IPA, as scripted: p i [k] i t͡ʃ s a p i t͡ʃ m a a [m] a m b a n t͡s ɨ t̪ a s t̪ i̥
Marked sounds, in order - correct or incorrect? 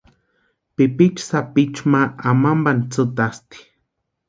incorrect: p, correct

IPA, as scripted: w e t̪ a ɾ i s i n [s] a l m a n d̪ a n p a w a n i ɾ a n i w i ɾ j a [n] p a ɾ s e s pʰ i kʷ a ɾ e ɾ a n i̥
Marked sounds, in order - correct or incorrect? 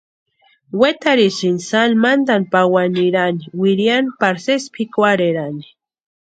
correct, correct

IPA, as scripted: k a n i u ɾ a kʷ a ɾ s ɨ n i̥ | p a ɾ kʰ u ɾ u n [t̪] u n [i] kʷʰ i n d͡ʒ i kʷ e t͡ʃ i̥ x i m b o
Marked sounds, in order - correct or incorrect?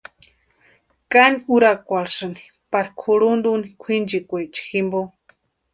incorrect: d̪, correct

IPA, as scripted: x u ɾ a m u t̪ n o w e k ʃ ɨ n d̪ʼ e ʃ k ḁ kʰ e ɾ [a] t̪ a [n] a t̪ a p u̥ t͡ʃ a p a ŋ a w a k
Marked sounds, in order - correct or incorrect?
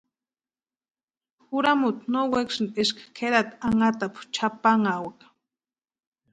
correct, incorrect: ŋ

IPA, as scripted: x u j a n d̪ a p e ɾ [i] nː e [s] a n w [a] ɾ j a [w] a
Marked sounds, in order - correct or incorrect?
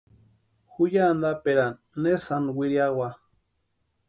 incorrect: a, correct, incorrect: i, correct

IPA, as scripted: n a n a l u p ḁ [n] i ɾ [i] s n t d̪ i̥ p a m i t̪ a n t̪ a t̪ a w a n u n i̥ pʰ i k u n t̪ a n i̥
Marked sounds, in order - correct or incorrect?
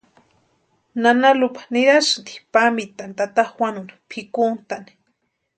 correct, incorrect: a

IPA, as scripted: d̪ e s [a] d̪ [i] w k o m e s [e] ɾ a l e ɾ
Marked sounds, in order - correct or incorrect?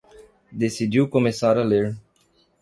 incorrect: i, correct, incorrect: a

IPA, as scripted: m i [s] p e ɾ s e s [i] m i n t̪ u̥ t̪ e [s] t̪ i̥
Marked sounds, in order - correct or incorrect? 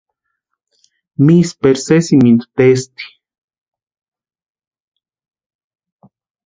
correct, correct, correct

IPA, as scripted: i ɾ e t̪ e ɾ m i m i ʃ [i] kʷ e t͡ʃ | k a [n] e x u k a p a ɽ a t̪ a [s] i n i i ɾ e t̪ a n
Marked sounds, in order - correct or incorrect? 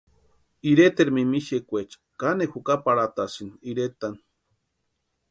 incorrect: e, correct, correct

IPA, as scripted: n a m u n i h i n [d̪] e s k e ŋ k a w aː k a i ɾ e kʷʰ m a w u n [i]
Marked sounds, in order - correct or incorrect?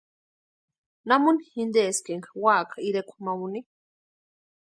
correct, correct

